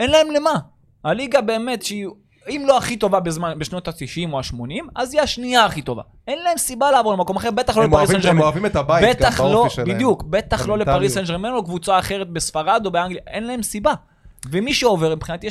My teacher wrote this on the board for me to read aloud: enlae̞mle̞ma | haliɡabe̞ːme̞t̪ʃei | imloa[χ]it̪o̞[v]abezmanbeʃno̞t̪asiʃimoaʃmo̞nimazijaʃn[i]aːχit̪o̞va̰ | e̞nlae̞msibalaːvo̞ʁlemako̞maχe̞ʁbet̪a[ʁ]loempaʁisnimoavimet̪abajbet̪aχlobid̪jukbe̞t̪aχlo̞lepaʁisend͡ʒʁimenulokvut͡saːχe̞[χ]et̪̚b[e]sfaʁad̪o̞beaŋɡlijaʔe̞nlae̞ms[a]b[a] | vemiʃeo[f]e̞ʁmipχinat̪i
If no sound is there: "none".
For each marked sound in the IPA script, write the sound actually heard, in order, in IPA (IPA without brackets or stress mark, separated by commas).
χ, v, i, χ, ʁ, e, i, a, v